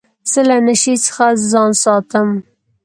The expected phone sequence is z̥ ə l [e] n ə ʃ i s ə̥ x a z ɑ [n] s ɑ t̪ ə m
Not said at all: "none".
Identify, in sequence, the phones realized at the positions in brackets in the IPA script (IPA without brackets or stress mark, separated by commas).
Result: a, n